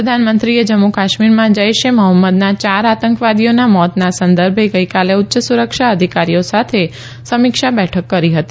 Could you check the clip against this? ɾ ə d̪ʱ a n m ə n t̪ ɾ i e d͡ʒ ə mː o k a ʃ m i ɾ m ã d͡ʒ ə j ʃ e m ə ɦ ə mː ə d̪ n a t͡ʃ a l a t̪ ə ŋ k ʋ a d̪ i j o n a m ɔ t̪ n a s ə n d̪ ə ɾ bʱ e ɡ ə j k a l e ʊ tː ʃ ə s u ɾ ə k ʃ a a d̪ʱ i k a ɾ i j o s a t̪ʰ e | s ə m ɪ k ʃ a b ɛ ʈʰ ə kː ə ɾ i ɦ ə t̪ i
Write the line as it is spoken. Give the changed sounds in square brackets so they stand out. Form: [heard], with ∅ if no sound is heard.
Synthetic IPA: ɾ ə d̪ʱ a n m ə n t̪ ɾ i e d͡ʒ ə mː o k a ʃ m i ɾ m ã d͡ʒ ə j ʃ e m ə ɦ ə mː ə d̪ n a t͡ʃ a [ɾ] a t̪ ə ŋ k ʋ a d̪ i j o n a m ɔ t̪ n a s ə n d̪ ə ɾ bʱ e ɡ ə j k a l e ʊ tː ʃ ə s u ɾ ə k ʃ a [ə] d̪ʱ i k a ɾ i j o s a t̪ʰ e | s ə m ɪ k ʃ a b ɛ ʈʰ ə kː ə ɾ i ɦ ə t̪ i